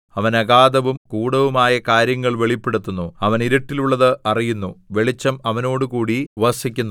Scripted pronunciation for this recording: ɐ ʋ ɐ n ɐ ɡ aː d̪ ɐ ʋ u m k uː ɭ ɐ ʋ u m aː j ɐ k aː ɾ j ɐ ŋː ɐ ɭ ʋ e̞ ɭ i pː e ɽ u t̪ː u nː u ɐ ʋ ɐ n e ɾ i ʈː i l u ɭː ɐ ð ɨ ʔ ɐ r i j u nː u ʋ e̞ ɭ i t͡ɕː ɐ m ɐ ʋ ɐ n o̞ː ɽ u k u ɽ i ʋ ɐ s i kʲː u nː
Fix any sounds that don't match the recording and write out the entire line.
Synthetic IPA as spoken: ɐ ʋ ɐ n ɐ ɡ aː d̪ ɐ ʋ u m k uː ɽ ɐ ʋ u m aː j ɐ k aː ɾ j ɐ ŋː ɐ ɭ ʋ e̞ ɭ i pː e ɽ u t̪ː u nː u ɐ ʋ ɐ n i ɾ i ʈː i l u ɭː ɐ ð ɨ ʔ ɐ r i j u nː u ʋ e̞ ɭ i t͡ɕː ɐ m ɐ ʋ ɐ n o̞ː ɽ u k uː ɽ i ʋ ɐ s i kʲː u nː

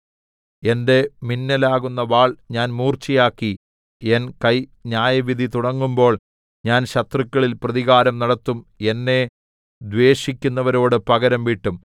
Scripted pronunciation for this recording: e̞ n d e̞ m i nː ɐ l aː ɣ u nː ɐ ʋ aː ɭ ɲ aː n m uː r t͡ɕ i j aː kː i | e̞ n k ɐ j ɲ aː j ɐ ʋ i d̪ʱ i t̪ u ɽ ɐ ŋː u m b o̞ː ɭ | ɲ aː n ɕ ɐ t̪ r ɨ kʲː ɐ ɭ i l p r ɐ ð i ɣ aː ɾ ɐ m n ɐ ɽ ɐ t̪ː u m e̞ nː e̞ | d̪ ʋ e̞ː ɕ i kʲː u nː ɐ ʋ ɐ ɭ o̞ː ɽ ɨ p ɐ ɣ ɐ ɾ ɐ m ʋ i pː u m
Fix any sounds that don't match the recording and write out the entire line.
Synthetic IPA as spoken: e̞ n d e̞ m i nː ɐ l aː ɣ u nː ɐ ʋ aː ɭ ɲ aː n m uː r t͡ɕ i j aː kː i | e̞ n k ɐ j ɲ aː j ɐ ʋ i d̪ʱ i t̪ u ɽ ɐ ŋː u m b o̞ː ɭ | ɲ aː n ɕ ɐ t̪ r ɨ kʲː ɐ ɭ i l p r ɐ ð i ɣ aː ɾ ɐ m n ɐ ɽ ɐ t̪ː u m e̞ nː e̞ | d̪ ʋ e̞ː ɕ i kʲː u nː ɐ ʋ ɐ ɾ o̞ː ɽ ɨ p ɐ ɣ ɐ ɾ ɐ m ʋ i ʈː u m

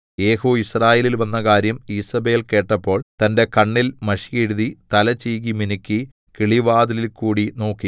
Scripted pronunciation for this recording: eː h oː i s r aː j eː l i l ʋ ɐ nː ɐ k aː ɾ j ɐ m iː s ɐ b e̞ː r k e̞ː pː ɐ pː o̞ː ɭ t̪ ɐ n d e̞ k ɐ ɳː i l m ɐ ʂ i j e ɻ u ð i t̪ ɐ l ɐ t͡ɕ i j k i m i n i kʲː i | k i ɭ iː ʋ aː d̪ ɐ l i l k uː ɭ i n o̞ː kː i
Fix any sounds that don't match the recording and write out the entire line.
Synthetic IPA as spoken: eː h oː i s r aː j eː l i l ʋ ɐ nː ɐ k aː ɾ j ɐ m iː s ɐ b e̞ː l k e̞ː ʈː ɐ pː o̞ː ɭ t̪ ɐ n d e̞ k ɐ ɳː i l m ɐ ʂ i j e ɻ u ð i t̪ ɐ l ɐ t͡ɕ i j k i m i n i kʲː i | k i ɭ i ʋ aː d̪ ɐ l i l k uː ɽ i n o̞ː kː i

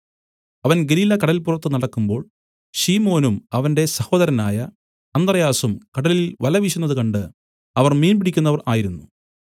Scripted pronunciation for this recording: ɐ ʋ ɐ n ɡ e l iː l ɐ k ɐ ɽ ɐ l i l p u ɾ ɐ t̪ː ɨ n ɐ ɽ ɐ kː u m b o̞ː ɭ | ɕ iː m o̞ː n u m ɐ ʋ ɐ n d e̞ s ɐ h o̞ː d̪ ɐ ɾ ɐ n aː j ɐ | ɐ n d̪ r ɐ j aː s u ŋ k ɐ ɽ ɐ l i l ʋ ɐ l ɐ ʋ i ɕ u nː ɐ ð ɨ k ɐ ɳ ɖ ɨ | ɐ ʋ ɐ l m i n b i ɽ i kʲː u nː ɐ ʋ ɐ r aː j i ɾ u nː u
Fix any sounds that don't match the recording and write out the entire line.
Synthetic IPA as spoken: ɐ ʋ ɐ n ɡ e l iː l ɐ k ɐ ɽ ɐ l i l p u r ɐ t̪ː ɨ n ɐ ɽ ɐ kː u m b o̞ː ɭ | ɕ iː m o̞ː n u m ɐ ʋ ɐ n d e̞ s ɐ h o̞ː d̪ ɐ ɾ ɐ n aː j ɐ | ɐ n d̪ r ɐ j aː s u m k ɐ ɽ ɐ l i l ʋ ɐ l ɐ ʋ i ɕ u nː ɐ ð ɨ k ɐ ɳ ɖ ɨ | ɐ ʋ ɐ r m iː n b i ɽ i kʲː u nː ɐ ʋ ɐ r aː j i ɾ u nː u

